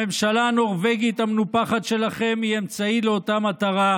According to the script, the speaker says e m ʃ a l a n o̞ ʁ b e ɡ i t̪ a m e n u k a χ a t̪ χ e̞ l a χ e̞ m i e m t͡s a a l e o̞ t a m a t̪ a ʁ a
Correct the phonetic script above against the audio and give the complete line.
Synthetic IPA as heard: e m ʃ a l a n o̞ ʁ v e ɡ i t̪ a m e n u p a χ a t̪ ʃ e̞ l a χ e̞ m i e m t͡s a i l e o̞ t a m a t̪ a ʁ a